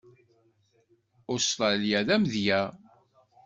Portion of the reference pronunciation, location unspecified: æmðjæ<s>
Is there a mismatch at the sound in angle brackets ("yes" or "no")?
yes